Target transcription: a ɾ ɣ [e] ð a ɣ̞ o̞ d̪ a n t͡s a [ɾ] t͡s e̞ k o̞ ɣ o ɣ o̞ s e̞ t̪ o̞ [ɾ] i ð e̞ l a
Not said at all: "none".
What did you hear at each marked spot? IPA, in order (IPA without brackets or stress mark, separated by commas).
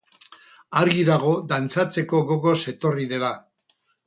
i, none, r